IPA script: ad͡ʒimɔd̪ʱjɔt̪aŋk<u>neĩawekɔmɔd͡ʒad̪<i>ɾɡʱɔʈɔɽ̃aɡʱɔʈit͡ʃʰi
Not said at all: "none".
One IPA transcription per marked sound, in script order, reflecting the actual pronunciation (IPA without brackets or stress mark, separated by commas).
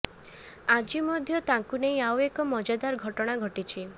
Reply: u, a